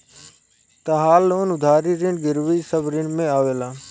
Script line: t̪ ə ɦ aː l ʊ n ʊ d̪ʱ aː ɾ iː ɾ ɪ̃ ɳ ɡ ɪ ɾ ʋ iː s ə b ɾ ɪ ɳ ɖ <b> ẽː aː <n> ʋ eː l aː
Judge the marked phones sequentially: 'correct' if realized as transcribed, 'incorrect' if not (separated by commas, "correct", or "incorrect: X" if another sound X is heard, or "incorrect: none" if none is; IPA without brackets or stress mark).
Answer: incorrect: m, incorrect: none